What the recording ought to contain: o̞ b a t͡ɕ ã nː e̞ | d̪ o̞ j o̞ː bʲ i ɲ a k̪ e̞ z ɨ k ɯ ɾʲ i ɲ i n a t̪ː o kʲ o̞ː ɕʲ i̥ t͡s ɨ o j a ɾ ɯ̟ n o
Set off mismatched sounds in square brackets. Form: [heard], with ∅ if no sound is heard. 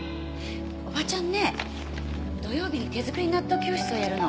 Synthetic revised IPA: o̞ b a t͡ɕ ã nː e̞ | d̪ o̞ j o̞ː bʲ i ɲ [i] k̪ e̞ z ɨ k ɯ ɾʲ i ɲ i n a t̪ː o kʲ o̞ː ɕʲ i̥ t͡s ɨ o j a ɾ ɯ̟ n o